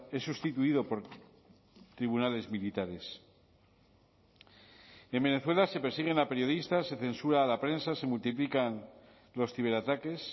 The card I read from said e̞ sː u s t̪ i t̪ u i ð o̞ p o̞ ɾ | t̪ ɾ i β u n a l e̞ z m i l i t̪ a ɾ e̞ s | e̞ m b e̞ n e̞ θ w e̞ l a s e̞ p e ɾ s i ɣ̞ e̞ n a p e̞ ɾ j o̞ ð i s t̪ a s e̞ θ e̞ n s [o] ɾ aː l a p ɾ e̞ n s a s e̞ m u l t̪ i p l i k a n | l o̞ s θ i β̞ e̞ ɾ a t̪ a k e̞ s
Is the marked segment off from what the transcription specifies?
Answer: yes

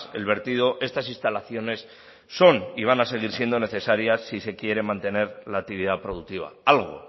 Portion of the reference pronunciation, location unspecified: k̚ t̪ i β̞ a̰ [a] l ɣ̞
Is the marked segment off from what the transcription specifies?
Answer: no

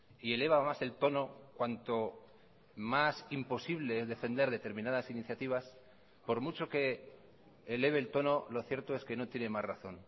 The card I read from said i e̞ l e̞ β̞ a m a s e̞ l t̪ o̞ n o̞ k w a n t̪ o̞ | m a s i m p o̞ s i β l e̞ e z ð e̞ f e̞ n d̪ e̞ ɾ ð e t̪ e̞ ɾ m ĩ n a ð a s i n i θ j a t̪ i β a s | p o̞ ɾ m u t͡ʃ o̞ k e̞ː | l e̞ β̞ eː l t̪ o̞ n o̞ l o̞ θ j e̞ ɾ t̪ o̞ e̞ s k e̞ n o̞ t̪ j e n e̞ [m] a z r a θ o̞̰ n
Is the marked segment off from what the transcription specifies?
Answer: no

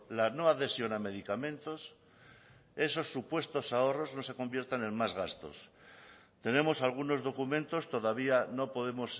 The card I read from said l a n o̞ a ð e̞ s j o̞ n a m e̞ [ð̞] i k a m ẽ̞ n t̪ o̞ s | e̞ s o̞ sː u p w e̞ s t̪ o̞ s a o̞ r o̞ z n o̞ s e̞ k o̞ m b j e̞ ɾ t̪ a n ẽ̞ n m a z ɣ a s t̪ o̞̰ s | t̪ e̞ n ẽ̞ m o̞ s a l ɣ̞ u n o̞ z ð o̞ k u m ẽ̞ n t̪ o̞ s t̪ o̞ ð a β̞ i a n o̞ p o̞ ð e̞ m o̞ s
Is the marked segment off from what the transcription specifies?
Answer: no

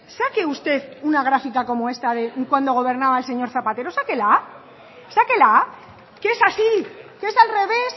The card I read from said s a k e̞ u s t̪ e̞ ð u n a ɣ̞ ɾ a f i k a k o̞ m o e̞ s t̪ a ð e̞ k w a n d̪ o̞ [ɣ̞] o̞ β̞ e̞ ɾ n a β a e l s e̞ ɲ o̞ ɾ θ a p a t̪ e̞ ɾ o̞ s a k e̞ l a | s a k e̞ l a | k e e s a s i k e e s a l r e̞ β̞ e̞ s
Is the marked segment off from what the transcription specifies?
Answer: no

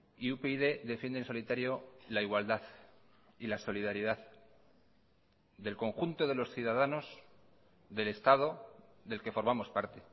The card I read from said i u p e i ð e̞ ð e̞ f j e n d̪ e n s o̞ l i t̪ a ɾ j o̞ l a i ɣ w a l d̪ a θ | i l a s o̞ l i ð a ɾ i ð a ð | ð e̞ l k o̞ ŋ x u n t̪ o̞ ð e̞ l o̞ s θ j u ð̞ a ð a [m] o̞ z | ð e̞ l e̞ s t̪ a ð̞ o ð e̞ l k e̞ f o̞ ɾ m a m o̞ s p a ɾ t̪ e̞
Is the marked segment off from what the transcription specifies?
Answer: yes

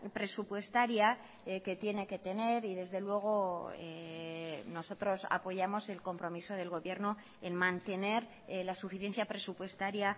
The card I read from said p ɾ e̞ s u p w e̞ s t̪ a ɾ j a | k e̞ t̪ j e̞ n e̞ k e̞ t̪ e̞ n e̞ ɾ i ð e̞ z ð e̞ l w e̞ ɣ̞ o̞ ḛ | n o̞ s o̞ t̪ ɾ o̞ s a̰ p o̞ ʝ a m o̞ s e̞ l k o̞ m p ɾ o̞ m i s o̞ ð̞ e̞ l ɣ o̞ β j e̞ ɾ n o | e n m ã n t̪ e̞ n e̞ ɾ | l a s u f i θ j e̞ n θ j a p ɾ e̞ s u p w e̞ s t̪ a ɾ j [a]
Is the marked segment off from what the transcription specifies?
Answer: no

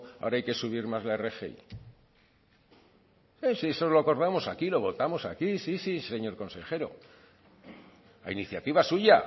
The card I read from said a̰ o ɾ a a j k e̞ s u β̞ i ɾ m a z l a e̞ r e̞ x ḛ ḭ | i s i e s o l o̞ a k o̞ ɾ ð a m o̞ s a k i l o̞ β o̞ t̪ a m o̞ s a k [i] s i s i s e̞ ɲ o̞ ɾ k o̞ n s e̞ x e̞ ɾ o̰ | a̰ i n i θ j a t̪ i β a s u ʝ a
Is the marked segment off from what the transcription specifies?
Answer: no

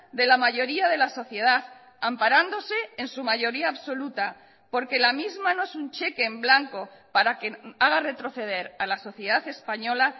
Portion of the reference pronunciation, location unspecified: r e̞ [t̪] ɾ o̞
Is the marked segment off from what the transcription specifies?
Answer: no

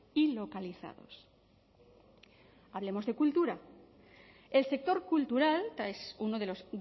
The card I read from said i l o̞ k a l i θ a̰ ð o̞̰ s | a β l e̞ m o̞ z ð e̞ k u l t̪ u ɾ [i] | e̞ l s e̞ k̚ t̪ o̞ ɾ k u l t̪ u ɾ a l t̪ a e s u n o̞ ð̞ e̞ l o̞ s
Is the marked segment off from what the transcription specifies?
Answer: yes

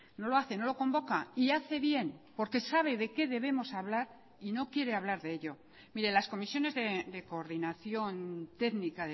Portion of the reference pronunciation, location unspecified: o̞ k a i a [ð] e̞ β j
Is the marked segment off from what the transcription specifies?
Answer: yes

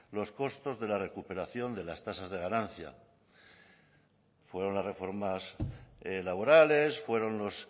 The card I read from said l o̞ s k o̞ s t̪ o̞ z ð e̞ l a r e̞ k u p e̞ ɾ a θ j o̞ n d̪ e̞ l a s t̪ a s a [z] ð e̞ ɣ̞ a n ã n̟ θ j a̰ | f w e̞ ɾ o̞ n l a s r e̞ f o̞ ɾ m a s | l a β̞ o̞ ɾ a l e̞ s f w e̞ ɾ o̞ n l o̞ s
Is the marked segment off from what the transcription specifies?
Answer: no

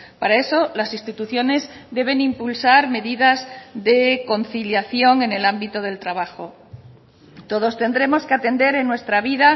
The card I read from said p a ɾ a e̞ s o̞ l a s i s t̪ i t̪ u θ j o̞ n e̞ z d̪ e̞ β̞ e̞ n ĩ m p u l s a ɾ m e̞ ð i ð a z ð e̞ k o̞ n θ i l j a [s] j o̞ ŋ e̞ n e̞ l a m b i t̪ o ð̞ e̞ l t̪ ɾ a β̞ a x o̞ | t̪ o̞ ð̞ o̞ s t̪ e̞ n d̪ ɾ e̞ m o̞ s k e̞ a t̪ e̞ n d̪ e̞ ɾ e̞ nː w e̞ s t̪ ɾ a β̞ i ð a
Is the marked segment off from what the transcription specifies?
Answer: yes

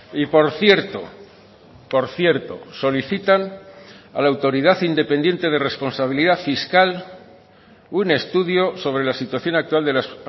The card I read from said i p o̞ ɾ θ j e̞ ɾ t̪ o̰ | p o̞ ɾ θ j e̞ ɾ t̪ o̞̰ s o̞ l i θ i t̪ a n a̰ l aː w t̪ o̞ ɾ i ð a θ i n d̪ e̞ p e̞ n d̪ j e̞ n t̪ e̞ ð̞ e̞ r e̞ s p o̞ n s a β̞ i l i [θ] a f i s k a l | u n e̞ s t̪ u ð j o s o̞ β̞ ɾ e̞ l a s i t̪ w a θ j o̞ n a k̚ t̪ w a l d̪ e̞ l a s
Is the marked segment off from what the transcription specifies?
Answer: yes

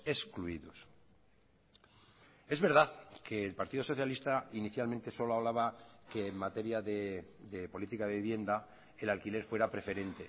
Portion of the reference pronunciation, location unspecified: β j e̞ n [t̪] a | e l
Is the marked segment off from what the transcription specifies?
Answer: yes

